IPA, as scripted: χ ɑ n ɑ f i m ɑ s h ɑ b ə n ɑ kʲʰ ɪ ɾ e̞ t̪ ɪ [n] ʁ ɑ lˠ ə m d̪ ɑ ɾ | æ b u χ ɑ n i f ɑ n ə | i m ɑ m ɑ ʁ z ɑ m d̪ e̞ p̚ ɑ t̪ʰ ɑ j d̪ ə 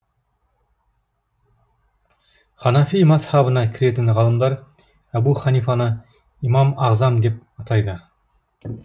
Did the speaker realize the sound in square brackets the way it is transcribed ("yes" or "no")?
yes